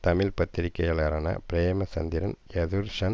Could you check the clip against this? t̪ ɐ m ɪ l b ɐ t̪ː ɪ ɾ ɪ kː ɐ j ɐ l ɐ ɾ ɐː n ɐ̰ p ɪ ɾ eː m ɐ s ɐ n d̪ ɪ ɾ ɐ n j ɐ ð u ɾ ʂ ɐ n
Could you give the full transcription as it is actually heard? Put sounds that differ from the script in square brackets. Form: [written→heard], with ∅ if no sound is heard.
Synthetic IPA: t̪ ɐ m ɪ l [b→p] ɐ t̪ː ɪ ɾ ɪ kː ɐ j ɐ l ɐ ɾ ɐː n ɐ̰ p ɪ ɾ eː m ɐ s ɐ n d̪ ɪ ɾ ɐ n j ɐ ð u ɾ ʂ ɐ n